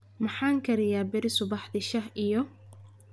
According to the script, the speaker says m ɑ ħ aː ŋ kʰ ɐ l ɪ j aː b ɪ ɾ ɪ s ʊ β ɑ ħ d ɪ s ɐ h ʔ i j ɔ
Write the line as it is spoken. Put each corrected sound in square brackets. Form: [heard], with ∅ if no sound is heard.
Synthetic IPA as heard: m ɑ ħ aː ŋ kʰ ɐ [ɾ] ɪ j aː b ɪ ɾ ɪ s ʊ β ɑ ħ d ɪ [ʃ] ɐ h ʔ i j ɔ